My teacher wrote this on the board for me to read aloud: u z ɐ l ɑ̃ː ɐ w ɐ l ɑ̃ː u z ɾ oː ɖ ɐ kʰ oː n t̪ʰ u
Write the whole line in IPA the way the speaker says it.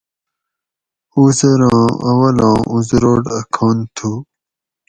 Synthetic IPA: u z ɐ ɾ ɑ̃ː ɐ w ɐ l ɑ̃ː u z ɾ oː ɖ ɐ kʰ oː n t̪ʰ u

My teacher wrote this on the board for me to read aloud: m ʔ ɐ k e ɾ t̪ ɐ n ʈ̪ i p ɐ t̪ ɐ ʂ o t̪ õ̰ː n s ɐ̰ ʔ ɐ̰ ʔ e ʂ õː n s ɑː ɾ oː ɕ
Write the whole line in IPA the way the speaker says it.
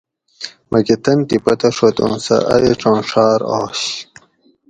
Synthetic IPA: m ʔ ɐ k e t̪ ɐ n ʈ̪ i p ɐ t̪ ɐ ʂ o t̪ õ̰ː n s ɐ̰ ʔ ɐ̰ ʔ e ʈ͡ʂ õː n ʂ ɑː ɾ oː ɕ

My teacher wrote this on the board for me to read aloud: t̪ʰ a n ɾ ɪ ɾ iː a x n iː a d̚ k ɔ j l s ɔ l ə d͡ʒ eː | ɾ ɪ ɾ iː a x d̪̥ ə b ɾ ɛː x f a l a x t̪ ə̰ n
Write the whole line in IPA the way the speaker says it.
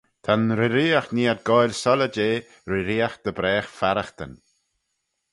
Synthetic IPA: t̪ʰ a n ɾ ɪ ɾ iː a x n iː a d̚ ɡ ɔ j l s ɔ l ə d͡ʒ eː | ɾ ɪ ɾ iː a x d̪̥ ə b ɾ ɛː x f a ɾ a x t̪ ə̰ n

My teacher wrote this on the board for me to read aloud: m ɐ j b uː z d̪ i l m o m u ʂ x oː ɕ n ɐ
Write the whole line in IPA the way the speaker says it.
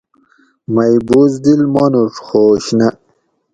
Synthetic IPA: m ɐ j b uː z d̪ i l m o n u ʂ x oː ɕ n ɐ

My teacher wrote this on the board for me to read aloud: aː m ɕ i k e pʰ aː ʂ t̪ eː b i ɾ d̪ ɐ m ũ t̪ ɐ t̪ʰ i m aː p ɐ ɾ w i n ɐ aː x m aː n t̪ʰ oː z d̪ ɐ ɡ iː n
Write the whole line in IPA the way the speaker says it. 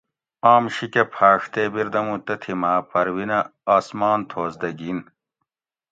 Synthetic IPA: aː m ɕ i k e pʰ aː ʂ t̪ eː b i ɾ d̪ ɐ m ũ t̪ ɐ t̪ʰ i m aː p ɐ ɾ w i n ɐ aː s m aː n t̪ʰ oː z d̪ ɐ ɡ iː n

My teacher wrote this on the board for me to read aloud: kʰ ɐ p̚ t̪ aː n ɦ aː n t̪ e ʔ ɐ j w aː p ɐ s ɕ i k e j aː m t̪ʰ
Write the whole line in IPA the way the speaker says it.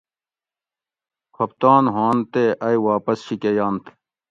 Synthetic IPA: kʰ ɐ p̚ t̪ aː n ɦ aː n t̪ e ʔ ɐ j w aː p ɐ s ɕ i k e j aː n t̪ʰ

